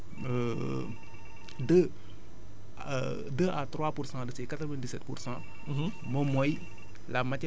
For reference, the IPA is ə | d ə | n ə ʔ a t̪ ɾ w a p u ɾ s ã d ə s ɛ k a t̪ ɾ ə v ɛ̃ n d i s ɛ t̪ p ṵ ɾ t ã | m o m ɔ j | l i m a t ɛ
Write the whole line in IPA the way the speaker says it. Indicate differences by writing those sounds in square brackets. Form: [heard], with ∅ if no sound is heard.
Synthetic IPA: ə | d ə | [d] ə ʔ a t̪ ɾ w a p u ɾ s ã d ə s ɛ k a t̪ ɾ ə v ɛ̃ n d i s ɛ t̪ p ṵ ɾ [s] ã | m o m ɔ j | l [a] m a t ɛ